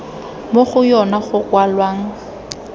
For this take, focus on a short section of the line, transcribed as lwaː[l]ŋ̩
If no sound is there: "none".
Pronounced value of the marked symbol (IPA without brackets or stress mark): none